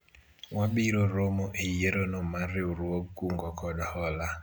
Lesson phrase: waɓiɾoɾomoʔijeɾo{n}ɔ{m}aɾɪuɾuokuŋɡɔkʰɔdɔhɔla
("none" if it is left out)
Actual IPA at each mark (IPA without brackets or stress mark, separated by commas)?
n, m